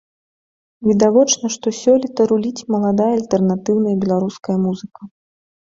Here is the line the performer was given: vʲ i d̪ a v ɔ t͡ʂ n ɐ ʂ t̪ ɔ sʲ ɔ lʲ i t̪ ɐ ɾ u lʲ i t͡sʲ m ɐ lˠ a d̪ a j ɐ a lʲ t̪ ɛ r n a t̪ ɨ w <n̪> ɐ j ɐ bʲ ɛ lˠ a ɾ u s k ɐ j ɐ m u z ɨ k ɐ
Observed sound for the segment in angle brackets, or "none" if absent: n̪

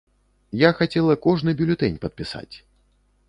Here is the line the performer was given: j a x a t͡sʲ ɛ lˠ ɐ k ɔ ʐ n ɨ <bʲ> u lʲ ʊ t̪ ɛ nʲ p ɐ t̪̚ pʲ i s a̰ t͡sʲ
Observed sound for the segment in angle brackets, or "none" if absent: bʲ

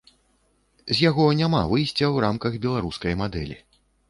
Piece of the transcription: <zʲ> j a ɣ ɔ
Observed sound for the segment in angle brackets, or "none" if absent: zʲ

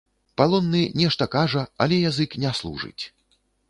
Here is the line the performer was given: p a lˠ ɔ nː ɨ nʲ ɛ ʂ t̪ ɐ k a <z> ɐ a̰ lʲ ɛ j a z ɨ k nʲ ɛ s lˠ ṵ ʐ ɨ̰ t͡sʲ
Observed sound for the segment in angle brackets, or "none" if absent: ʐ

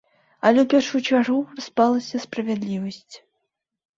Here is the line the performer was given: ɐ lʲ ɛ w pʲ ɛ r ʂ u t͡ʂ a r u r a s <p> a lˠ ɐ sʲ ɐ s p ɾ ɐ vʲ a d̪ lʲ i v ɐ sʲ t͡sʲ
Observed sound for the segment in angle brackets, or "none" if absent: p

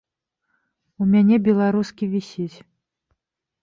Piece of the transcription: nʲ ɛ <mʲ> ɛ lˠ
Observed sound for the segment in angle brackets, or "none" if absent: bʲ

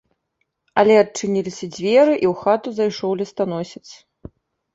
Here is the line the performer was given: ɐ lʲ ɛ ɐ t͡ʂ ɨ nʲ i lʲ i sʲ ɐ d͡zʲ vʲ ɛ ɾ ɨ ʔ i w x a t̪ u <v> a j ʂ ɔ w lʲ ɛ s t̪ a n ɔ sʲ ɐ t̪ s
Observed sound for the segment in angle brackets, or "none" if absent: z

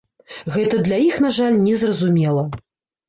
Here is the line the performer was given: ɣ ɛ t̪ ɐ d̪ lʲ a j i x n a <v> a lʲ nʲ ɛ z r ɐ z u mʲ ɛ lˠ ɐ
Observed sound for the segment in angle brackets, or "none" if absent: ʐ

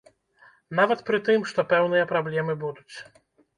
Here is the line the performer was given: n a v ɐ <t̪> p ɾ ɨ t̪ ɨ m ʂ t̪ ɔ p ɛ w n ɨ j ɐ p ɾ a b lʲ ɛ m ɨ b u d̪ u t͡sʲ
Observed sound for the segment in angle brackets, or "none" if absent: t̪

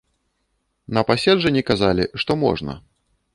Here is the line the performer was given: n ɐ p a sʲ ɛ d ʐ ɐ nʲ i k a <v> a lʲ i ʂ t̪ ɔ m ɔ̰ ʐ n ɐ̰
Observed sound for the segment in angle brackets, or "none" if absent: z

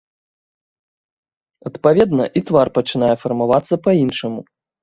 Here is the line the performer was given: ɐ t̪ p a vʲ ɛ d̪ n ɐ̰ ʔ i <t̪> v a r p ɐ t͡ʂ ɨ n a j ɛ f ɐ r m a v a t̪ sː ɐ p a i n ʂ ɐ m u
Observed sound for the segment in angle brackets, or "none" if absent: t̪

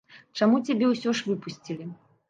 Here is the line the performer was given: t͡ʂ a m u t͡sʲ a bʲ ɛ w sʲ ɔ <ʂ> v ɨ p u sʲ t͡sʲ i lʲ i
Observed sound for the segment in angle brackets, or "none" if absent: ʂ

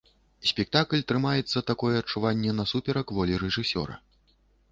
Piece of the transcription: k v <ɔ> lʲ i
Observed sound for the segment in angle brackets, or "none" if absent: ɔ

